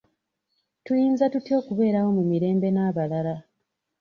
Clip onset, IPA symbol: t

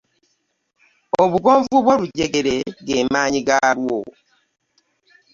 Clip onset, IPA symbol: o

